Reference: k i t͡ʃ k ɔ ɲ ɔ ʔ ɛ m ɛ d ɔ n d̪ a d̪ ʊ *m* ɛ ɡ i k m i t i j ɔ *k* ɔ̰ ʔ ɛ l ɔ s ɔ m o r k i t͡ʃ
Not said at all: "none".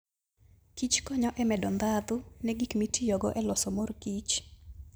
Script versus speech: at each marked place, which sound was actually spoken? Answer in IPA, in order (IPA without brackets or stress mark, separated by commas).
n, ɡ